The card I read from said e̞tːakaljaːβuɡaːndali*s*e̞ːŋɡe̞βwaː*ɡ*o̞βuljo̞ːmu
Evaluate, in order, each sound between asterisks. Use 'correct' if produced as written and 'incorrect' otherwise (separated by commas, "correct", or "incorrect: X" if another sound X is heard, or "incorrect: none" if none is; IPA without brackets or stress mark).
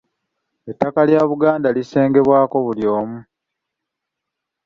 correct, incorrect: k